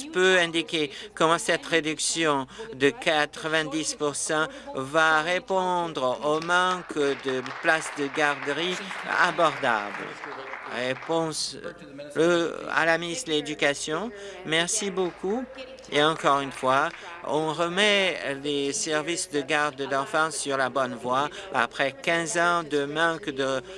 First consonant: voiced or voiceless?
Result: voiceless